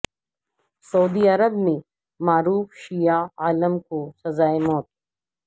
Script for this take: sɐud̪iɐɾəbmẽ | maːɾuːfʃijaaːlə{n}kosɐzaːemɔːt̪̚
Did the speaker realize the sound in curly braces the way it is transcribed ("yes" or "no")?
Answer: no